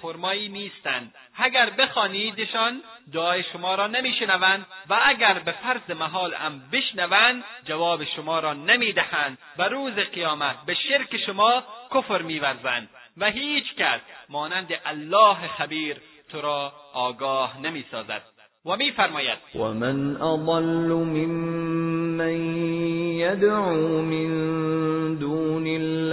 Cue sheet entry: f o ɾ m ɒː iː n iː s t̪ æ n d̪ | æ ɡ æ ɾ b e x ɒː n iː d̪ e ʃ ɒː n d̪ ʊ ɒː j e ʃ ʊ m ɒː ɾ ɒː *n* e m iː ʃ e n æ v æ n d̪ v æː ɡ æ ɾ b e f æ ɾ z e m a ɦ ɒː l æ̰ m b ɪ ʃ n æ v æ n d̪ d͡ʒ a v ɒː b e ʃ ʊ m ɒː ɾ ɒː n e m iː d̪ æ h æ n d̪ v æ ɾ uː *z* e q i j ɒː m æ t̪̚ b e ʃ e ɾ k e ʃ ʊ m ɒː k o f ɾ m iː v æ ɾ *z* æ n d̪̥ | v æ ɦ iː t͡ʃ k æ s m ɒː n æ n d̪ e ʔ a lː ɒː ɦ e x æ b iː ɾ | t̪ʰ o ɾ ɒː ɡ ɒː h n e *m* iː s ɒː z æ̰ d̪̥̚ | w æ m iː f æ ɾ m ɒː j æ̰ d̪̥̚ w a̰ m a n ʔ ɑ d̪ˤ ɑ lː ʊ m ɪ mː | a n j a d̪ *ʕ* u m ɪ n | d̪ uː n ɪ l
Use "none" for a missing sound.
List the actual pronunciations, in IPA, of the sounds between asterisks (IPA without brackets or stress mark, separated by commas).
n, z, z, m, ʕ